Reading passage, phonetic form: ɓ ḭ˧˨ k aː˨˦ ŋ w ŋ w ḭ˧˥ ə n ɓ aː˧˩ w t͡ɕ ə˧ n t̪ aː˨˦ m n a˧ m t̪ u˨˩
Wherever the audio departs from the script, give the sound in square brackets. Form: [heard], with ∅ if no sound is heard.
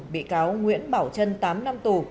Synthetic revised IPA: ɓ ḭ˧˨ k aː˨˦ [∅] w ŋ w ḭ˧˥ ə n ɓ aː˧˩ w t͡ɕ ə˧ n t̪ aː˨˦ m n a˧ m t̪ u˨˩